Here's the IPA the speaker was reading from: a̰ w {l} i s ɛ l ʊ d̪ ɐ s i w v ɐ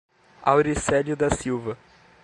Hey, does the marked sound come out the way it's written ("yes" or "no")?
no